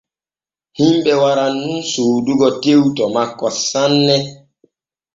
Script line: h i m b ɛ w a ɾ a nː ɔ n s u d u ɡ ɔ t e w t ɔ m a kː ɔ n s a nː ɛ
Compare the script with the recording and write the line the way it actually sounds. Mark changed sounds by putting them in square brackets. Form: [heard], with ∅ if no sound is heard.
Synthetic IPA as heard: h i m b ɛ w a ɾ a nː [u] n s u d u ɡ ɔ t e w t ɔ m a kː ɔ [∅] s a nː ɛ